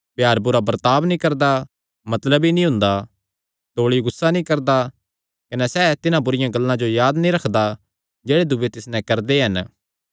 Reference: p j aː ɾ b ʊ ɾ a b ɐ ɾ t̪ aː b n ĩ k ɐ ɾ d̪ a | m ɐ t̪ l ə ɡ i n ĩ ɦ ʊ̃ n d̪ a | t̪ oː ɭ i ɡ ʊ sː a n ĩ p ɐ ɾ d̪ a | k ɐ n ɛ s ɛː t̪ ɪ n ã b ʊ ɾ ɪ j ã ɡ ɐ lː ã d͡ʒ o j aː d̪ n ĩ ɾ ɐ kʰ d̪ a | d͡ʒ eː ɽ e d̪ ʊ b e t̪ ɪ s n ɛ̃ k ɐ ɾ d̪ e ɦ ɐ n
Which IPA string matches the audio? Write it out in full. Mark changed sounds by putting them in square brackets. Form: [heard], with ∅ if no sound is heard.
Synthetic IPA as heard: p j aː ɾ b ʊ ɾ a b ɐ ɾ t̪ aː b n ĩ k ɐ ɾ d̪ a | m ɐ t̪ l ə [b] i n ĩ ɦ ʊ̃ n d̪ a | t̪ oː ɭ i ɡ ʊ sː a n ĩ [k] ɐ ɾ d̪ a | k ɐ n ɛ s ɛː t̪ ɪ n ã b ʊ ɾ ɪ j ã ɡ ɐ lː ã d͡ʒ o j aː d̪ n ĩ ɾ ɐ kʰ d̪ a | d͡ʒ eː ɽ e d̪ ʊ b e t̪ ɪ s n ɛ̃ k ɐ ɾ d̪ e ɦ ɐ n